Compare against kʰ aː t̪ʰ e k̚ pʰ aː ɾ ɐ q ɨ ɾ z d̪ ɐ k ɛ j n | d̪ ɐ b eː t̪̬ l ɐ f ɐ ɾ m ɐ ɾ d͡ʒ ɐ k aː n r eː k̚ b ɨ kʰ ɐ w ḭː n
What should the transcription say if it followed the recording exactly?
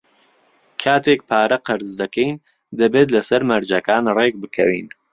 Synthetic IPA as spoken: kʰ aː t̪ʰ e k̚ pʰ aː ɾ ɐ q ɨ ɾ z d̪ ɐ k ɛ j n | d̪ ɐ b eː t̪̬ l ɐ s ɐ ɾ m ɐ ɾ d͡ʒ ɐ k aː n r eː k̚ b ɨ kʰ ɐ w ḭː n